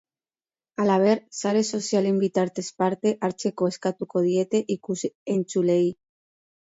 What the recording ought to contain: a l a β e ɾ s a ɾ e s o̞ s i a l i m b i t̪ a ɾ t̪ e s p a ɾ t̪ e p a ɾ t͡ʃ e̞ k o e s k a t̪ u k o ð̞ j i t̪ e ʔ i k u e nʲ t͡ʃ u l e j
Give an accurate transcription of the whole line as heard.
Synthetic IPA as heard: a l a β e ɾ s a ɾ e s o̞ s j a l i m b i t̪ a ɾ t̪ e s p a ɾ t̪ e ʔ a ɾ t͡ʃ e̞ k o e s k a t̪ u k o ð̞ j e t̪ e ʔ i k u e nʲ t͡ʃ u l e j

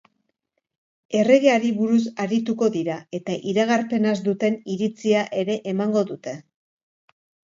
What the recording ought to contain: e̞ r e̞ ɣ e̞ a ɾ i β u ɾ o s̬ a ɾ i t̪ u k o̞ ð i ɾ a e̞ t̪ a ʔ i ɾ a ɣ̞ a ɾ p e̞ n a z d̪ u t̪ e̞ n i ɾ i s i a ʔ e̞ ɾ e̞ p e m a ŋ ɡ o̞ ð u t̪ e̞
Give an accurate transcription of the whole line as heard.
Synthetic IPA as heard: e̞ r e̞ ɣ e̞ a ɾ i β u ɾ u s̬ a ɾ i t̪ u k o̞ ð i ɾ a e̞ t̪ a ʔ i ɾ a ɣ̞ a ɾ p e̞ n a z d̪ u t̪ e̞ n i ɾ i t͡s i a ʔ e̞ ɾ e̞ ʔ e m a ŋ ɡ o̞ ð u t̪ e̞

